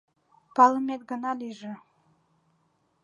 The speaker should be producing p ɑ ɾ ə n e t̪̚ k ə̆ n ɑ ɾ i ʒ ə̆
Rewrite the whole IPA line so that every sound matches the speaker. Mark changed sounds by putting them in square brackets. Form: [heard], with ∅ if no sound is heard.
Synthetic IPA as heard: p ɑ [l] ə [m] e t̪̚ [ɡ] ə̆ n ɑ [l] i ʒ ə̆